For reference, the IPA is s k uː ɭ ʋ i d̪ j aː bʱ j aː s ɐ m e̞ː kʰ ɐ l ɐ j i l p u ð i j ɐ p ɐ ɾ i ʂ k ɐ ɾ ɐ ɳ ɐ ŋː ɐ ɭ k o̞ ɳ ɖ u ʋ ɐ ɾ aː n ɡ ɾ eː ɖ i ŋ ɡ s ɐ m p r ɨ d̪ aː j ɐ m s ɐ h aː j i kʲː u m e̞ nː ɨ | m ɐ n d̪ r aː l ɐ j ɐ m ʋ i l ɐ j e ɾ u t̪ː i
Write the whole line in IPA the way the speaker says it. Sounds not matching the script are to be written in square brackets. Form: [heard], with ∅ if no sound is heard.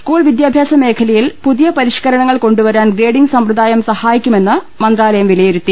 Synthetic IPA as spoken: s k uː ɭ ʋ i d̪ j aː bʱ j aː s ɐ m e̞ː kʰ ɐ l ɐ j i l p u ð i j ɐ p ɐ ɾ i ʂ k ɐ ɾ ɐ ɳ ɐ ŋː ɐ ɭ k o̞ ɳ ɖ u ʋ ɐ ɾ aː n ɡ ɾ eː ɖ i ŋ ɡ s ɐ m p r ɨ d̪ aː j ɐ m s ɐ h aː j i kʲː u m e̞ nː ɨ | m ɐ n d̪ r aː l ɐ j ɐ m ʋ i l ɐ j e ɾ u t̪ː i